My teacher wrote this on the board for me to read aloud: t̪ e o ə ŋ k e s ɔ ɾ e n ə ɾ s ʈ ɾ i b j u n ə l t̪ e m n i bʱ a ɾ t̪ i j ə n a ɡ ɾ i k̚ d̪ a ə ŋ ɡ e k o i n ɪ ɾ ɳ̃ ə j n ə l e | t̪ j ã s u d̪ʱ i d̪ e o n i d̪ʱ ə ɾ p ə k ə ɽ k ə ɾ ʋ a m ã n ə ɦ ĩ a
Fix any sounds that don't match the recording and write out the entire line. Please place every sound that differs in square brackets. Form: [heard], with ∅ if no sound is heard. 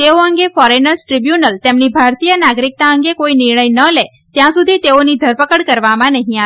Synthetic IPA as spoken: t̪ e o ə ŋ [ɡ] e [f] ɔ ɾ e n ə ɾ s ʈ ɾ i b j u n ə l t̪ e m n i bʱ a ɾ t̪ i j ə n a ɡ ɾ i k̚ [t̪] a ə ŋ ɡ e k o i n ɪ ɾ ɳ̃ ə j n ə l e | t̪ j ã s u d̪ʱ i [t̪] e o n i d̪ʱ ə ɾ p ə k ə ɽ k ə ɾ ʋ a m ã n ə ɦ ĩ a